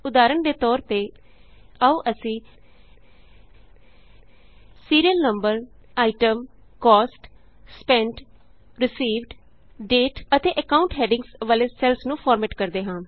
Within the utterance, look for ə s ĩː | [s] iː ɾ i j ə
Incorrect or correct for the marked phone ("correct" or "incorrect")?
correct